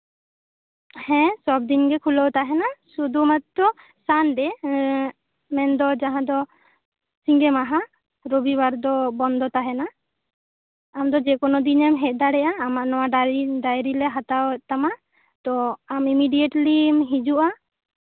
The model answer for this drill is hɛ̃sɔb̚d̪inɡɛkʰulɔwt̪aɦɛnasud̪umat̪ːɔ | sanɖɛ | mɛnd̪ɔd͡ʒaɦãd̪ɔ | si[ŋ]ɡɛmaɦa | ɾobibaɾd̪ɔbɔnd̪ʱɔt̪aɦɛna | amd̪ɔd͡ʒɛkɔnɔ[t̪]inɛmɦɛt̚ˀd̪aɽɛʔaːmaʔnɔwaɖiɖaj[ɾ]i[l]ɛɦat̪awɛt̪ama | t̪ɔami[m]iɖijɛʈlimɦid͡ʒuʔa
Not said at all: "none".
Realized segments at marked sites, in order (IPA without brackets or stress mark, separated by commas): ŋ, d̪, ɾ, l, m